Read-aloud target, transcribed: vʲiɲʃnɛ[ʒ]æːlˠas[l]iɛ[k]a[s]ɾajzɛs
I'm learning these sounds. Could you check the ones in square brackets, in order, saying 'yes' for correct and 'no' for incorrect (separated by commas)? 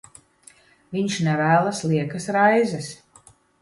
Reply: no, yes, yes, yes